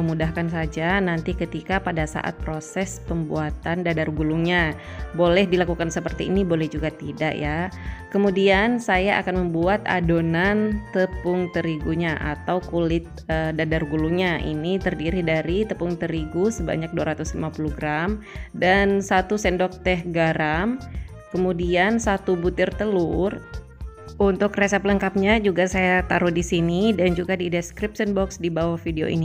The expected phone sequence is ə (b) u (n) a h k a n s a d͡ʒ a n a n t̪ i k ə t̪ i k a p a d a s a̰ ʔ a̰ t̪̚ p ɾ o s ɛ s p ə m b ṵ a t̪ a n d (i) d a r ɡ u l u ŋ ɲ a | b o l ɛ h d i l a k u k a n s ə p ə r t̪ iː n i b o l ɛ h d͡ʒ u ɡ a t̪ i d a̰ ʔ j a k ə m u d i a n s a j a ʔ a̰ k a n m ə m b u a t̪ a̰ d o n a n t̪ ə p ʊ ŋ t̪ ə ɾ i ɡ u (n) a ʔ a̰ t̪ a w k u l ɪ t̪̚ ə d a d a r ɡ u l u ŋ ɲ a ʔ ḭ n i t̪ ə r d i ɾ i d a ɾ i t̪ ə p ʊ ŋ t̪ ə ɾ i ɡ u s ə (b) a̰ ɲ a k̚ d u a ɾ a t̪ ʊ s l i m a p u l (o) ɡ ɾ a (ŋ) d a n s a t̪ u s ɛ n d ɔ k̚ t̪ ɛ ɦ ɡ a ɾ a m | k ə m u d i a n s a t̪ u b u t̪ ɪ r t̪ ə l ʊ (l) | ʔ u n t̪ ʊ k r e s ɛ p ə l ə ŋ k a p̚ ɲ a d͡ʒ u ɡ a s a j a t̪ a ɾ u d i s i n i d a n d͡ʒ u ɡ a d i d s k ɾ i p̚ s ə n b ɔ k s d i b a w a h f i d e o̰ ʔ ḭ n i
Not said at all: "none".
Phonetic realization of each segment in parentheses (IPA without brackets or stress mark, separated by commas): m, d, a, ɲ, b, u, m, r